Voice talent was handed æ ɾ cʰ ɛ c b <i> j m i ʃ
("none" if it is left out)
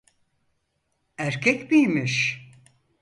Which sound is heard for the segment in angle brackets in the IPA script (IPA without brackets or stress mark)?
i